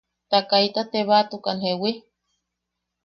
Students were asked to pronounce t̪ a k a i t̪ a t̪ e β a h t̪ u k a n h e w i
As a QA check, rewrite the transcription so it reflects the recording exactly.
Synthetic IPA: t̪ a k a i t̪ a t̪ e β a t̪ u k a n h e w i